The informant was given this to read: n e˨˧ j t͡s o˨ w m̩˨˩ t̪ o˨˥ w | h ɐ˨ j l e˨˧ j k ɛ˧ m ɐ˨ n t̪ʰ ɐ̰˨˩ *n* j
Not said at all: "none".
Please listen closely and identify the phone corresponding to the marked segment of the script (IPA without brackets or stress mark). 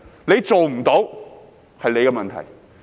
none